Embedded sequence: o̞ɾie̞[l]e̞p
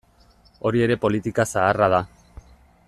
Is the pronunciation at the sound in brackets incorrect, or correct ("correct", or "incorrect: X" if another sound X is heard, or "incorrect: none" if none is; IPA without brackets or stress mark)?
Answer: incorrect: ɾ